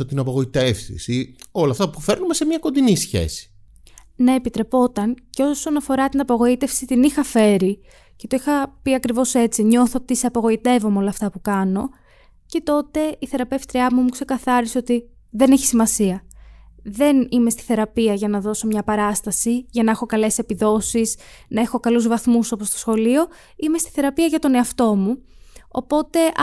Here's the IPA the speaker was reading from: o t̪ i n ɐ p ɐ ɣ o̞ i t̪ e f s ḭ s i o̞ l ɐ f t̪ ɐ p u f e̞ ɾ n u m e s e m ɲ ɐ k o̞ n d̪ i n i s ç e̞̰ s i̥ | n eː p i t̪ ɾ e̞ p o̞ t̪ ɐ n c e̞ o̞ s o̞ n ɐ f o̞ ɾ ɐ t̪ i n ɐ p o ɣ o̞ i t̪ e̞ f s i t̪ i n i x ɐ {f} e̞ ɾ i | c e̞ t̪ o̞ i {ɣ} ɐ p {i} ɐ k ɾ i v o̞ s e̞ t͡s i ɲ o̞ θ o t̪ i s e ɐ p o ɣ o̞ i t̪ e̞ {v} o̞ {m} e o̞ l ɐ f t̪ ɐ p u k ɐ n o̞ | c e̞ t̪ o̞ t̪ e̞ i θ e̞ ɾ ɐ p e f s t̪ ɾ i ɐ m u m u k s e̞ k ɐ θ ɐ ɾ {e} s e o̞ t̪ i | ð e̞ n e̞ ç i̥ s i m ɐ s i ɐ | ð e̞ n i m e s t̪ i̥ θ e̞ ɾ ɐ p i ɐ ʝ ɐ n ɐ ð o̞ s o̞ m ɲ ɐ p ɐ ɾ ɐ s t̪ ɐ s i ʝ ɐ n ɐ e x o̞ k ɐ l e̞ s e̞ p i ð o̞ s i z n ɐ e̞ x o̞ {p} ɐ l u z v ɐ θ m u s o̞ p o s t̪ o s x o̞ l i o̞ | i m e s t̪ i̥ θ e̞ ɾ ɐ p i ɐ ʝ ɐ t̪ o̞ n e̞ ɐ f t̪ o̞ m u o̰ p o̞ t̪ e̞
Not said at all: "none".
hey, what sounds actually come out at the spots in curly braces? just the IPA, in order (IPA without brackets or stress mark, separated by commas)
f, x, i, v, m, i, k